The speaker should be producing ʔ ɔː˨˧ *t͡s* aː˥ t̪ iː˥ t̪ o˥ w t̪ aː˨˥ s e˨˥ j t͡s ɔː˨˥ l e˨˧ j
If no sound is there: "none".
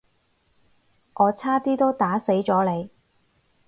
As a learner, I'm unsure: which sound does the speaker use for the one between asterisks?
t͡sʰ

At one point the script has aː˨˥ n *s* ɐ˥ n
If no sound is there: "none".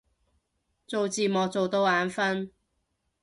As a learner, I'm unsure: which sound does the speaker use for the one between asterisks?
f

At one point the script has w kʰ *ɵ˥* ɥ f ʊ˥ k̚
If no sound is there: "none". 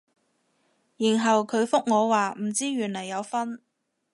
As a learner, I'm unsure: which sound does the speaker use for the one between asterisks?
ɵ˨˧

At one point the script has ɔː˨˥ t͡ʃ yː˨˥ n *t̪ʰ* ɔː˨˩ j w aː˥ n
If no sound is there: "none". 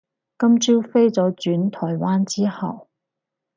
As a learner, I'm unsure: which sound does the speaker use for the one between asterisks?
t̪ʰ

